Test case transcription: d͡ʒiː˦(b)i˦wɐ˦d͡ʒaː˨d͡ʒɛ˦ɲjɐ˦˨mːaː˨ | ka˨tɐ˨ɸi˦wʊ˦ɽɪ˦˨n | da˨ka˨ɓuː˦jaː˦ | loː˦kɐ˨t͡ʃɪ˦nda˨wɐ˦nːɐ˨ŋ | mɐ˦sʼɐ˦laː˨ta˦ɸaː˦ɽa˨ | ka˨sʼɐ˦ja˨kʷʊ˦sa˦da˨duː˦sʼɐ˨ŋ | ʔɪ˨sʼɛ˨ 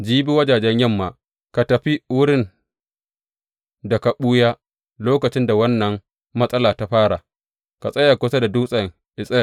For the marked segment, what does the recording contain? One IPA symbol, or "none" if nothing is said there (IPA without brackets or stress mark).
b